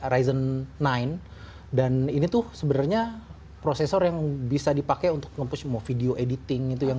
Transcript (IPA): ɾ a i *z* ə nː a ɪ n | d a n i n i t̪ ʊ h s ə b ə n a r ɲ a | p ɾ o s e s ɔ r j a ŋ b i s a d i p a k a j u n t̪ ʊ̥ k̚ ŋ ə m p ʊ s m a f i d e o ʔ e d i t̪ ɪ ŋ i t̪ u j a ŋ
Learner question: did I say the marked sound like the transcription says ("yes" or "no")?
yes